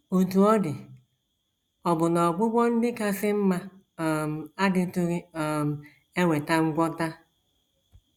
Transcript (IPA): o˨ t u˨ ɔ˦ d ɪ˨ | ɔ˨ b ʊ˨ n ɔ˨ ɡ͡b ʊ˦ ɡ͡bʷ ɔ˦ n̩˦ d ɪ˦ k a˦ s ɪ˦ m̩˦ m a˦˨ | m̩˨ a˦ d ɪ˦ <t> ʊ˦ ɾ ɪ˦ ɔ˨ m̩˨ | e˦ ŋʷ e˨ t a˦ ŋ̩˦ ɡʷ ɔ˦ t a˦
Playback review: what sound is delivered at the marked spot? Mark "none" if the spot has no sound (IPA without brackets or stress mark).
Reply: t